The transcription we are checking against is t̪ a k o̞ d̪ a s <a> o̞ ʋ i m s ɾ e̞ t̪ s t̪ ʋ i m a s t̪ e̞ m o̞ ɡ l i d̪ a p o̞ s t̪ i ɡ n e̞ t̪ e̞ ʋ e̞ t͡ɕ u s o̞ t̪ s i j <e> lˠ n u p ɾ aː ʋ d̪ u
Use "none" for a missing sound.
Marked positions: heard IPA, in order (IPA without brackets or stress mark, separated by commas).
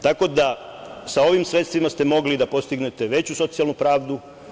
a, a